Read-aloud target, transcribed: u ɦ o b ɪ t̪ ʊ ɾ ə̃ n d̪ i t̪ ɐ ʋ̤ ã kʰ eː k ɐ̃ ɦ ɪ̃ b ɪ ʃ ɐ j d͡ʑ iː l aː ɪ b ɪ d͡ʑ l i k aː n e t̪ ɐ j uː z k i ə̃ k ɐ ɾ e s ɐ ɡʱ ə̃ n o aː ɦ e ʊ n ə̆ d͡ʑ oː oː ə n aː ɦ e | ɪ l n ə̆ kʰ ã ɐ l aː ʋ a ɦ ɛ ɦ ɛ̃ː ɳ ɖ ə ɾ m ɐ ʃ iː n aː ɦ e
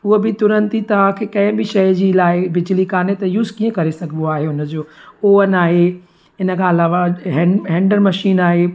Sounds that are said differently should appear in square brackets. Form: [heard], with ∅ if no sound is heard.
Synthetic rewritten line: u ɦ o b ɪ t̪ ʊ ɾ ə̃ n [t̪] i t̪ ɐ ʋ̤ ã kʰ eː k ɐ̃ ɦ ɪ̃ b ɪ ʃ ɐ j d͡ʑ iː l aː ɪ b ɪ d͡ʑ l i k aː n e t̪ ɐ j uː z k i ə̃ k ɐ ɾ e s ɐ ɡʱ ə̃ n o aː ɦ e ʊ n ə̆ d͡ʑ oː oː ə n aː ɦ e | ɪ [∅] n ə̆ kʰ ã ɐ l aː ʋ a ɦ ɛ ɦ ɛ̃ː ɳ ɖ ə ɾ m ɐ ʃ iː n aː ɦ e

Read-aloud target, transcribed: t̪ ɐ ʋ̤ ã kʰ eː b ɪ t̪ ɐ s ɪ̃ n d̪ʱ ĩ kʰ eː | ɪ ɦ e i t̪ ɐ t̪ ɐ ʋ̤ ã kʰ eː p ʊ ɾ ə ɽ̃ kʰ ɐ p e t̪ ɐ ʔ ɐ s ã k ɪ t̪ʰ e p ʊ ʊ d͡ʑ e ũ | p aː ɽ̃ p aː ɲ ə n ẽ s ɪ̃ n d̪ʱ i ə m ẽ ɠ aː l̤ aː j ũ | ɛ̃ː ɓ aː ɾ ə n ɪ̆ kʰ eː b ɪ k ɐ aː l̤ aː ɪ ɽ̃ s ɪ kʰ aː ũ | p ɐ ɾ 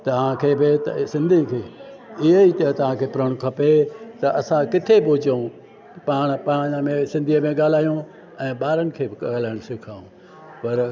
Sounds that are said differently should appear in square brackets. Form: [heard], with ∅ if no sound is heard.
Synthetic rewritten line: t̪ ɐ ʋ̤ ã kʰ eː b ɪ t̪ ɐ s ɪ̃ n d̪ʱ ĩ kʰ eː | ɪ ɦ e i t̪ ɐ t̪ ɐ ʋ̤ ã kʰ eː p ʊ ɾ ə ɽ̃ kʰ ɐ p e t̪ ɐ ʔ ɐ s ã k ɪ t̪ʰ e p ʊ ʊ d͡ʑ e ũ | p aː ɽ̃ p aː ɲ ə [m] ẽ s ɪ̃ n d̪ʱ i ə m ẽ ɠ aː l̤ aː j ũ | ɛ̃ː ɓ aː ɾ ə n ɪ̆ kʰ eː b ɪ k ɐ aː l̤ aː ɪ ɽ̃ s ɪ kʰ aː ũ | p ɐ ɾ

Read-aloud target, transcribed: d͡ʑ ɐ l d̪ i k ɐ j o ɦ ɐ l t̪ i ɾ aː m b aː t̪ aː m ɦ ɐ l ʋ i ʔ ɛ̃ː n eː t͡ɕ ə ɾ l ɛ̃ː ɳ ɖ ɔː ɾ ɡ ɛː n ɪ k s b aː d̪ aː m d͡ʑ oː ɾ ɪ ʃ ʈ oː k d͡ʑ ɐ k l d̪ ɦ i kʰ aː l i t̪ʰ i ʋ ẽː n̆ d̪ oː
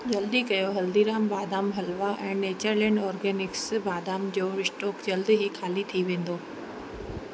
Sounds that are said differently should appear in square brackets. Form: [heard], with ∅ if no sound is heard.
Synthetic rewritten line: d͡ʑ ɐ l d̪ i k ɐ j o ɦ ɐ l [d̪] i ɾ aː m b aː [d̪] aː m ɦ ɐ l ʋ [a] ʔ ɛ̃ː n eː t͡ɕ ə ɾ l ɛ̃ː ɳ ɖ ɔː ɾ ɡ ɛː n ɪ k s b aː d̪ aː m d͡ʑ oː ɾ ɪ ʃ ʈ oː k d͡ʑ ɐ [∅] l d̪ ɦ i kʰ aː l i t̪ʰ i ʋ ẽː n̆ d̪ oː

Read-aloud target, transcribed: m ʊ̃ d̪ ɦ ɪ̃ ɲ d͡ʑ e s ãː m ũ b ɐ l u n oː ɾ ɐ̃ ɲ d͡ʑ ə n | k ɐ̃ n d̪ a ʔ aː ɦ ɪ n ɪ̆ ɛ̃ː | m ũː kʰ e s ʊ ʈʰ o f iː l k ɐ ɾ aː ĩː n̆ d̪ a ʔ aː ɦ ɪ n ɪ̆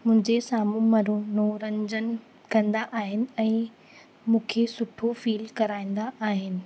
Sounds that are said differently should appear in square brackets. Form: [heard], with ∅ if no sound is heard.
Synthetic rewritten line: m ʊ̃ [∅] ɦ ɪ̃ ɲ d͡ʑ e s [aː] m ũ [m] ɐ [ɾ] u n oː ɾ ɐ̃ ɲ d͡ʑ ə n | k ɐ̃ n d̪ a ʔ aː ɦ ɪ n ɪ̆ ɛ̃ː | m ũː kʰ e s ʊ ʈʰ o f iː l k ɐ ɾ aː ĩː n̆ d̪ a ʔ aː ɦ ɪ n ɪ̆

